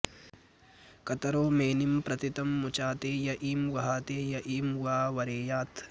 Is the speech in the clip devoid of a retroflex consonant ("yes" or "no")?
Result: yes